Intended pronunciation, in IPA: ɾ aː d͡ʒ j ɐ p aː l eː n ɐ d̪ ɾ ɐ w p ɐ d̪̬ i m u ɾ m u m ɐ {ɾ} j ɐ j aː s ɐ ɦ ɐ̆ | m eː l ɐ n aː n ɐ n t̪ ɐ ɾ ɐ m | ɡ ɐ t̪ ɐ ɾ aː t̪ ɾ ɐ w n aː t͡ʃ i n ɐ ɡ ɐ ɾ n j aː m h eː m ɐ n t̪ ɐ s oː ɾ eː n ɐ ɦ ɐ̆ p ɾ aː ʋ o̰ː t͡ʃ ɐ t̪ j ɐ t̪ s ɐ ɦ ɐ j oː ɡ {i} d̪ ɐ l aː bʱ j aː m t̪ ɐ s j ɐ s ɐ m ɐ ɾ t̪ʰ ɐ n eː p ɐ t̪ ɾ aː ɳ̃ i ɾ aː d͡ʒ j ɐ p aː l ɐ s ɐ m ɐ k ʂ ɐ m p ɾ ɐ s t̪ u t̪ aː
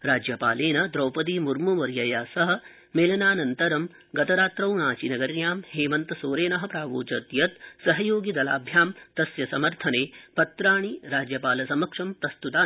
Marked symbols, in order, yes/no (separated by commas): yes, yes